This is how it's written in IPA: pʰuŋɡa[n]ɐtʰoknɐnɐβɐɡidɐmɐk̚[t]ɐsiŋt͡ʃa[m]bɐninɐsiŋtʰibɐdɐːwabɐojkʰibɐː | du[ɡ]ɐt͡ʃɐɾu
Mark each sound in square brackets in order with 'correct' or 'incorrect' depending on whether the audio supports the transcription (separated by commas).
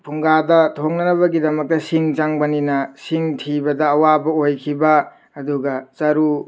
incorrect, correct, incorrect, correct